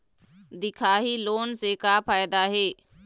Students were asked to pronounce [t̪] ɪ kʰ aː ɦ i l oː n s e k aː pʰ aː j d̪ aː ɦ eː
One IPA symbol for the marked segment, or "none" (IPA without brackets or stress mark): d̪